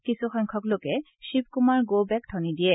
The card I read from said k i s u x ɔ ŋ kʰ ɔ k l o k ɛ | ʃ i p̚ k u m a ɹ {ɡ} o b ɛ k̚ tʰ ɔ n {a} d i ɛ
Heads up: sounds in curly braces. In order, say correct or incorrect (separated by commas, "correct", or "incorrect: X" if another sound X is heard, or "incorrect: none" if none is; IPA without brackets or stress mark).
correct, incorrect: i